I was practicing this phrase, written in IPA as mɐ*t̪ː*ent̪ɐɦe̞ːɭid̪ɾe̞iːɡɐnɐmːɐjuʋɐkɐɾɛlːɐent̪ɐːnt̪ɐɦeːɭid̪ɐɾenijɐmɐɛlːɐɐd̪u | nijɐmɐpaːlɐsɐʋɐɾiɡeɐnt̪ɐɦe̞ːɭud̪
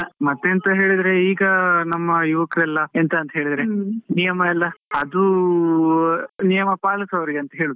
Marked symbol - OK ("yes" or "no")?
yes